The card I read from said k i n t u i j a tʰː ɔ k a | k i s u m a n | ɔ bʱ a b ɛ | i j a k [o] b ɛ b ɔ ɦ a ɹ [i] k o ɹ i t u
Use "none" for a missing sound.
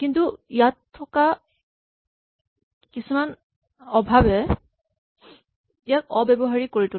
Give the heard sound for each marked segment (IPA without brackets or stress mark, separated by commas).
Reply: ɔ, i